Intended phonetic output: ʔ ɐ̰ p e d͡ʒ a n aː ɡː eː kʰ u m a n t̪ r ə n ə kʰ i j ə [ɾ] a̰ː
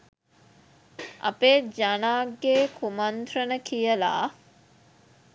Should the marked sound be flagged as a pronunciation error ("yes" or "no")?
yes